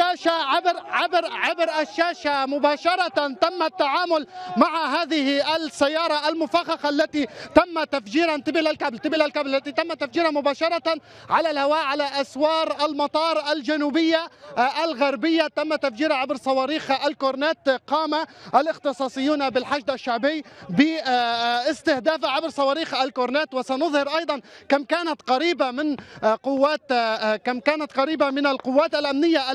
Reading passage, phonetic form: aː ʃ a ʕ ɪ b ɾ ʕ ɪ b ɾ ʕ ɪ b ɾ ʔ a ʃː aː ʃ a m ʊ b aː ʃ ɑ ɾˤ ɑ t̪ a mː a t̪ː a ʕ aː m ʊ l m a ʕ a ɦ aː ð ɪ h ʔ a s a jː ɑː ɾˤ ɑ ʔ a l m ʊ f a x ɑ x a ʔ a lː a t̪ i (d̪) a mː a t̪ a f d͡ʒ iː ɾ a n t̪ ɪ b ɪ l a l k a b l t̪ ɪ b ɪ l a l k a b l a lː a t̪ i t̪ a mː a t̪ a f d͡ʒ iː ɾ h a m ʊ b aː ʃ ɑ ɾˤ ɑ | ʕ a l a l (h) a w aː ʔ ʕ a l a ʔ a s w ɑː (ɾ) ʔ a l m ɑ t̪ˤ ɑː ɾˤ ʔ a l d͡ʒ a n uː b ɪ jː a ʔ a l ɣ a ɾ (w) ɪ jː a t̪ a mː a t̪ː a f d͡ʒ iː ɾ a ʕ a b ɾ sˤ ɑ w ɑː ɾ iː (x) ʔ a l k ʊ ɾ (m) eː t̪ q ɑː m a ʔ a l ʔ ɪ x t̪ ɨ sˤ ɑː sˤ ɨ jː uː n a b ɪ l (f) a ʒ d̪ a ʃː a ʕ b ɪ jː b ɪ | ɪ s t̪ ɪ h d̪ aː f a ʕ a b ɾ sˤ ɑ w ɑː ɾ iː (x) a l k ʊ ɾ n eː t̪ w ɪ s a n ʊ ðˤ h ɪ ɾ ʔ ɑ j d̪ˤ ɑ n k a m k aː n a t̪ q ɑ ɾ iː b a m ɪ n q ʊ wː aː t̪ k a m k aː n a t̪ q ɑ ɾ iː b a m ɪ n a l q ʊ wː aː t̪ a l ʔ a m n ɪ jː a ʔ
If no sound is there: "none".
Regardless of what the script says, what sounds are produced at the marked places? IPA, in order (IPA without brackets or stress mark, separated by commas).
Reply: t̪, h, ɾ, b, x, n, ħ, x